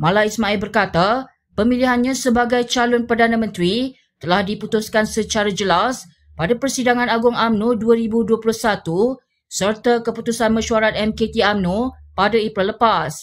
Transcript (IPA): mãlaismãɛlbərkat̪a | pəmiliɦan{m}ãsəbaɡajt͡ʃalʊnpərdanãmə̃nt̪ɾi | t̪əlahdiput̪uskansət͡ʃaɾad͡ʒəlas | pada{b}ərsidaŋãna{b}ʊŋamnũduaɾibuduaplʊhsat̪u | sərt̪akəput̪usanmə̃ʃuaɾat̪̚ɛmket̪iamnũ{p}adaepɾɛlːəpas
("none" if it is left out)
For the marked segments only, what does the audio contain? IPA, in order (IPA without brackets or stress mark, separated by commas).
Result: ɲ, p, ɡ, p